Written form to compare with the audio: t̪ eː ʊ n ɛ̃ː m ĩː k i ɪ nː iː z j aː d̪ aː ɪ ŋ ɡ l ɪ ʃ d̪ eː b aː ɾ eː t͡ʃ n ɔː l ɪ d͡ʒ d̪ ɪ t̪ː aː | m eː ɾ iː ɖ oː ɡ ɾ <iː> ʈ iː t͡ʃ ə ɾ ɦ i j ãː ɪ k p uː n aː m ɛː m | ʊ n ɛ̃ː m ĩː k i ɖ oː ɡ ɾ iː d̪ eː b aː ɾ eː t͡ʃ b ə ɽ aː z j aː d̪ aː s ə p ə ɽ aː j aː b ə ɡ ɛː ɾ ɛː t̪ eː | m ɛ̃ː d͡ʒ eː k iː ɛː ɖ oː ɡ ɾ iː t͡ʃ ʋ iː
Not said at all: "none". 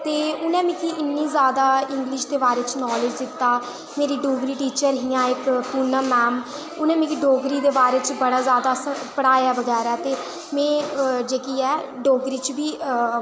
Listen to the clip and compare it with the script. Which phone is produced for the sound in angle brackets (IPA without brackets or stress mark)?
iː